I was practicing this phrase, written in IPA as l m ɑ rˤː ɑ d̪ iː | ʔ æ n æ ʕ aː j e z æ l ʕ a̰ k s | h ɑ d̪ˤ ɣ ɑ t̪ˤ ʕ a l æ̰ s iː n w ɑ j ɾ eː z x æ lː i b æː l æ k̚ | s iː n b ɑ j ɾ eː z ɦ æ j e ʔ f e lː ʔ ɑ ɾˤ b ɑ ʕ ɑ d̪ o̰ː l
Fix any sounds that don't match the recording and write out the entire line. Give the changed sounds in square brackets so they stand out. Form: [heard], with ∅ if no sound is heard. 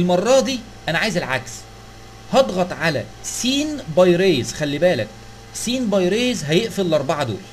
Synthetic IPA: l m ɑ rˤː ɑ d̪ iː | ʔ æ n æ ʕ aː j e z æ l ʕ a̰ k s | h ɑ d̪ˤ ɣ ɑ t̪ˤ ʕ a l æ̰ s iː n [b] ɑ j ɾ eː z x æ lː i b æː l æ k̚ | s iː n b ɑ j ɾ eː z ɦ æ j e ʔ f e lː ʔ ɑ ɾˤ b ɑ ʕ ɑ d̪ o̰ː l

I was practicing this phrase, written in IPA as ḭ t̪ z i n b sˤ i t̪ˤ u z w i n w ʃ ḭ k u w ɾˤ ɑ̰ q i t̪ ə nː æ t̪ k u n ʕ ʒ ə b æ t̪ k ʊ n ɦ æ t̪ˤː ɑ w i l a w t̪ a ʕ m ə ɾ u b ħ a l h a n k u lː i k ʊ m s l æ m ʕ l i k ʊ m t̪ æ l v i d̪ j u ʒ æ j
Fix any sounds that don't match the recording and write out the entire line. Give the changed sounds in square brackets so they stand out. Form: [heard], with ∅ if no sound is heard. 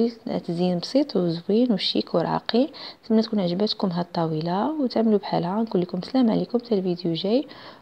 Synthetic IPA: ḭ t̪ z i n b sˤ i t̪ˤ [w] z w i n w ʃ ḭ k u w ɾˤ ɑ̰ q i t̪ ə [mː] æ t̪ k u n ʕ ʒ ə b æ t̪ k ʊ [m] ɦ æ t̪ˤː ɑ w i l a w t̪ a ʕ m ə [l] u b ħ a l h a n k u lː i k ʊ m s l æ m ʕ l i k ʊ m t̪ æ l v i d̪ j u ʒ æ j

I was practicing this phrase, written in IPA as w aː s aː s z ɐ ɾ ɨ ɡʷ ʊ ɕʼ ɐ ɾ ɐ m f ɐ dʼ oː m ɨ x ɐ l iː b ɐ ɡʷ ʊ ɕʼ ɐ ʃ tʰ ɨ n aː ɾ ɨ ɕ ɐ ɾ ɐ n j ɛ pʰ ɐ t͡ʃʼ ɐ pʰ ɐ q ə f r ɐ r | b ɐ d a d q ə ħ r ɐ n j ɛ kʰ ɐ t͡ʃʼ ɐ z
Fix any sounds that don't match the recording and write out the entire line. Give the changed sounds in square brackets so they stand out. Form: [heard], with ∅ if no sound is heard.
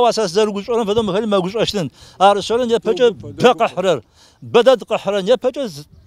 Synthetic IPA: w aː s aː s z ɐ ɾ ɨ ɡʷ ʊ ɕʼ ɐ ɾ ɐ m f ɐ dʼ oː m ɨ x ɐ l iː [m] ɐ ɡʷ ʊ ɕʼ ɐ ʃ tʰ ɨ n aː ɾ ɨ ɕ ɐ ɾ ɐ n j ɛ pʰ ɐ t͡ʃʼ ɐ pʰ ɐ q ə [ħ] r ɐ r | b ɐ d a d q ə ħ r ɐ n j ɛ [pʰ] ɐ t͡ʃʼ ɐ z

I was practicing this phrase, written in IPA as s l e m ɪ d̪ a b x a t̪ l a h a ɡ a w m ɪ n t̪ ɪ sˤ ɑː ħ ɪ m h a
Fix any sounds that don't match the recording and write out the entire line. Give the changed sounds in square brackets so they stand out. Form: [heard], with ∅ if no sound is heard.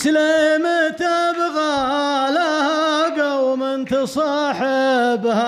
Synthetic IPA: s l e m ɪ [t̪] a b [ɣ] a [∅] l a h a ɡ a w m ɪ n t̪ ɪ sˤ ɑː ħ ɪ [b] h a

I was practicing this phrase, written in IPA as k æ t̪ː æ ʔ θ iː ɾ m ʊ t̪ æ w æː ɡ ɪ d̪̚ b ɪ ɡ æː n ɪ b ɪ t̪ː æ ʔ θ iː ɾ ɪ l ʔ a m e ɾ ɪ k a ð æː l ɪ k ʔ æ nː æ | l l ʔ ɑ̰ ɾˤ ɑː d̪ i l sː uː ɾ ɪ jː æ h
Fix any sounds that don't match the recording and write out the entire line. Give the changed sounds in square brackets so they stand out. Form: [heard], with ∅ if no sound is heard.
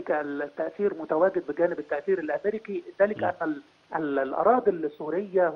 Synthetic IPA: k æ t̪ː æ ʔ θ iː ɾ m ʊ t̪ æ w æː ɡ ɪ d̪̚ b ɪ ɡ æː n ɪ b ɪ t̪ː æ ʔ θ iː ɾ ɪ l ʔ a m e ɾ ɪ k [i] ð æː l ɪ k ʔ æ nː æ | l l ʔ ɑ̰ ɾˤ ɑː d̪ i l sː uː ɾ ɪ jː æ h

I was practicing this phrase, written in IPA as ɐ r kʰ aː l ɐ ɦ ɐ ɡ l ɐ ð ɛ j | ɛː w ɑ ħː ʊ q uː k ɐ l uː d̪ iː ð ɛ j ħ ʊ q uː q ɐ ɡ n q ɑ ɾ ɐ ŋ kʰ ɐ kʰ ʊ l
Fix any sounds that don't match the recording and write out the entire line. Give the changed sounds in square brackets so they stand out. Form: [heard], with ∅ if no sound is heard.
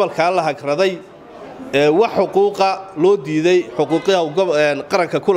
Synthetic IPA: ɐ [l] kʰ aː l ɐ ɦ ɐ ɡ [r] ɐ ð ɛ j | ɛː w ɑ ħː ʊ q uː [q] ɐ l [ɔː] d̪ iː ð ɛ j ħ ʊ q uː q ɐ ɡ n q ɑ ɾ ɐ ŋ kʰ ɐ kʰ ʊ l

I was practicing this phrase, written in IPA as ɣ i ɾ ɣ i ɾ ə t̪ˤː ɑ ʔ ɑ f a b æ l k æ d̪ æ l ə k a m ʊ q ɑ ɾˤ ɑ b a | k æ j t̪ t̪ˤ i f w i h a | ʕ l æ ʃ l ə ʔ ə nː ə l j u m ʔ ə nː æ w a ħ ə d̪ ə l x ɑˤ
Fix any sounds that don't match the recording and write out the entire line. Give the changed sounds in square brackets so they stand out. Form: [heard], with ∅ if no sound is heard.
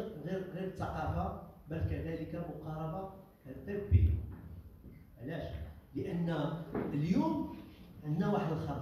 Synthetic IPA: ɣ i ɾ ɣ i ɾ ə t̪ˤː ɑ [q] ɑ f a b æ l k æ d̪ æ l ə k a m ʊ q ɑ ɾˤ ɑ b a | k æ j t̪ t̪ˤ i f [b] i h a | ʕ l æ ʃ l ə ʔ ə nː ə l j u m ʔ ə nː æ w a ħ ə d̪ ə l x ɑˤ

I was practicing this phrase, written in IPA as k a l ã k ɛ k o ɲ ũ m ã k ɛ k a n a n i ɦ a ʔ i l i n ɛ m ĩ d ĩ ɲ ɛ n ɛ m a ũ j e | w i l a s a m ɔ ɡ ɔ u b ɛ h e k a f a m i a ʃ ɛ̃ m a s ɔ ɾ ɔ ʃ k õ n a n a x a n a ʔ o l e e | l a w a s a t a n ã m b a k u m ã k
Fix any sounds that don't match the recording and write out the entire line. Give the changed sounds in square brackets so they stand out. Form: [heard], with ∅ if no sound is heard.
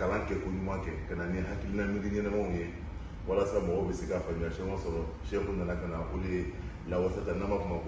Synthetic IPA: k a l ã k ɛ k o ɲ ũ m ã k ɛ k a n a n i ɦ a [k] i l i n [a] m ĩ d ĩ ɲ ɛ n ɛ m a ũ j e | w [a] l a s a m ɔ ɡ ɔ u b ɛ [s] e k a f a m i a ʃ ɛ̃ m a s ɔ ɾ ɔ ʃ k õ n a n a [k] a n a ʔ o l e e | l a w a s a t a n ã m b a k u m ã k

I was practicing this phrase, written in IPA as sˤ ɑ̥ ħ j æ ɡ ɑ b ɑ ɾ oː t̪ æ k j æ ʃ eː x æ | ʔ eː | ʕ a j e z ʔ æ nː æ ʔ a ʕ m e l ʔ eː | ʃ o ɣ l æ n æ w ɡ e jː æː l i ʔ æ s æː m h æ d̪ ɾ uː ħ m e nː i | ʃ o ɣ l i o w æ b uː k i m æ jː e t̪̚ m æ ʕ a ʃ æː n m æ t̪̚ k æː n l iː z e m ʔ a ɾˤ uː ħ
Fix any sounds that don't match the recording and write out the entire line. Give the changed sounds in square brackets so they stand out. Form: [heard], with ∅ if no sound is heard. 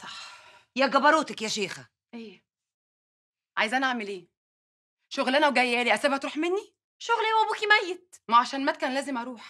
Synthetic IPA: sˤ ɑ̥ ħ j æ ɡ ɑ b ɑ ɾ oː t̪ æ k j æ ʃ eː x æ | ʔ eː | ʕ a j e z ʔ æ [n] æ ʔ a ʕ m e l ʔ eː | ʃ o ɣ l æ n æ w ɡ [æ] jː æː l i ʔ æ s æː [b] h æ [t̪] ɾ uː ħ m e nː i | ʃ o ɣ l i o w æ b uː k i m æ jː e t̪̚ m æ ʕ a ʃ æː n m æ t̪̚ k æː n l [æː] z e m ʔ [ɑ] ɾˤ uː ħ

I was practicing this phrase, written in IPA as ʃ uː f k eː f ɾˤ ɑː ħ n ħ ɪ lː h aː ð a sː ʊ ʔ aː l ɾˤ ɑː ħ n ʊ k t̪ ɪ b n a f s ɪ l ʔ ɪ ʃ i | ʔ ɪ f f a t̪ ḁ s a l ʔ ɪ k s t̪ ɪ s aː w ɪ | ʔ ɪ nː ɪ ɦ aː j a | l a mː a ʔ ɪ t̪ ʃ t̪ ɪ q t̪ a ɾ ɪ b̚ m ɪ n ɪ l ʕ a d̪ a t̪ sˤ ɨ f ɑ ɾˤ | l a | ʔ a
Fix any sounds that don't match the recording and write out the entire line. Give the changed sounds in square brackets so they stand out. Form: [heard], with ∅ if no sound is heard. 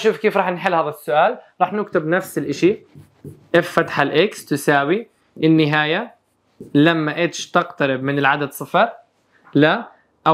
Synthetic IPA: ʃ uː f k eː f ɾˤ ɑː ħ n ħ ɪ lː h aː ð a sː ʊ ʔ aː l ɾˤ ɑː ħ n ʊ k t̪ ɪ b n a f s ɪ l ʔ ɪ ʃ i | ʔ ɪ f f a t̪ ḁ [ħ] a l ʔ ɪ k s t̪ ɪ s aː w [i] | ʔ ɪ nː ɪ ɦ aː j a | l a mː a ʔ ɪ t̪ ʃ t̪ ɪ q t̪ a ɾ ɪ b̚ m ɪ n ɪ l ʕ a d̪ a [d̪] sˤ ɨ f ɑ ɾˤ | l a | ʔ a

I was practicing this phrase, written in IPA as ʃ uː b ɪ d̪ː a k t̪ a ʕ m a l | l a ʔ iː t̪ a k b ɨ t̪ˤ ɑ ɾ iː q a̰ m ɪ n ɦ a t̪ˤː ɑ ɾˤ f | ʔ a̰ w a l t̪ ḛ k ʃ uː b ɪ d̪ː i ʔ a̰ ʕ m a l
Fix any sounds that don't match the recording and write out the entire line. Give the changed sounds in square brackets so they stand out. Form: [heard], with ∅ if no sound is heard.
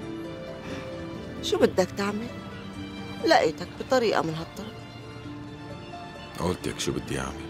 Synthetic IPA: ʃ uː b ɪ d̪ː a k t̪ a ʕ m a l | l a ʔ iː t̪ a k b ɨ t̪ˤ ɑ ɾ iː [ʔ] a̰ m ɪ n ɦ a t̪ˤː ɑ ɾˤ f | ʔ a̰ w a l t̪ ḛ k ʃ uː b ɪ d̪ː i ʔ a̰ ʕ m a l

